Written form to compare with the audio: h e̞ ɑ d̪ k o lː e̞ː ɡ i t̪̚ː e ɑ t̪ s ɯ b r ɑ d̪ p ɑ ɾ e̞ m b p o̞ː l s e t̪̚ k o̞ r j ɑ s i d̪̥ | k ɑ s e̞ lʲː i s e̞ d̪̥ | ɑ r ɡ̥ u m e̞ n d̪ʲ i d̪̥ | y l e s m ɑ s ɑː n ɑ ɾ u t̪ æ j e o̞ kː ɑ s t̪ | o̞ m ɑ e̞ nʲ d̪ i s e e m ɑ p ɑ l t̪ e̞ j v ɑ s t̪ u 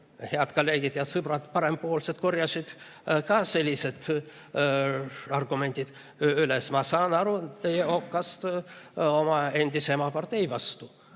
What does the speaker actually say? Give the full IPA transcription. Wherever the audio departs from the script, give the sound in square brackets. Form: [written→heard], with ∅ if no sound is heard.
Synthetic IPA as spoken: h e̞ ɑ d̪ k o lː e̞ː ɡ i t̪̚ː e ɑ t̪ s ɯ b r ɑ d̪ p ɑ ɾ e̞ m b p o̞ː l s e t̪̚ k o̞ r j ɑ s i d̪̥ | k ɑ s e̞ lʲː i s e̞ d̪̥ | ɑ r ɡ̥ u m e̞ n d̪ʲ i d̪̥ | y l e s m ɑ s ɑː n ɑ ɾ u t̪ [æ→e] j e o̞ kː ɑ s t̪ | o̞ m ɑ e̞ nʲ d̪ i s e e m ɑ p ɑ [l→r] t̪ e̞ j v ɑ s t̪ u